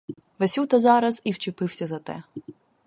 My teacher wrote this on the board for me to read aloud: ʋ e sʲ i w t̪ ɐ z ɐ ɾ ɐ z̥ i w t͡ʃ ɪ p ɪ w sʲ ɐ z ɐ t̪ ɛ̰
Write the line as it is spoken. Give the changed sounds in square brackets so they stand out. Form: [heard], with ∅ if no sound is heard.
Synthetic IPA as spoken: ʋ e sʲ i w t̪ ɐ z [ɑ] ɾ ɐ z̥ i w t͡ʃ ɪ p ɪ w sʲ ɐ z ɐ t̪ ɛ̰